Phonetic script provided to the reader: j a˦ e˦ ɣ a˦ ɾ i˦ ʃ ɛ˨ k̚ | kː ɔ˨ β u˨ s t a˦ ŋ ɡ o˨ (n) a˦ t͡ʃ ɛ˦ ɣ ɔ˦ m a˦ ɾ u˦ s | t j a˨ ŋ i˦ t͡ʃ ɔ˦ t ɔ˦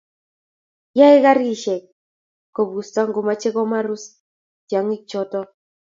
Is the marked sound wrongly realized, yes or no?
yes